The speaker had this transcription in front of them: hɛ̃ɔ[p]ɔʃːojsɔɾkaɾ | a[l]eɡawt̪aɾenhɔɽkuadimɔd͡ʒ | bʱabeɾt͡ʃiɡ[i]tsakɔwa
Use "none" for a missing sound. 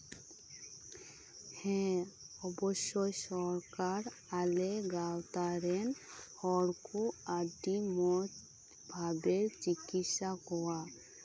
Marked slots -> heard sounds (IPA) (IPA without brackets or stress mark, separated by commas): b, l, i